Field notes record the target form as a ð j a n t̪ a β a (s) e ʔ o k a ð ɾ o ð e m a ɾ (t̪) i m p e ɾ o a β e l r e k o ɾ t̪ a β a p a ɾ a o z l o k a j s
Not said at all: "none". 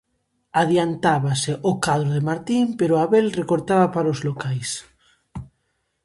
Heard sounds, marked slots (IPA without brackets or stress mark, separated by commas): s, t̪